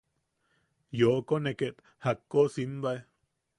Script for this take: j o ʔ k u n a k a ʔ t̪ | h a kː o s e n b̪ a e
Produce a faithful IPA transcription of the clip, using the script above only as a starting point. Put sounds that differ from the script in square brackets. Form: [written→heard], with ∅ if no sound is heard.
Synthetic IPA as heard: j o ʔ k [u→o] n [a→e] k [a→e] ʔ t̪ | h a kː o s [e→i] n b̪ a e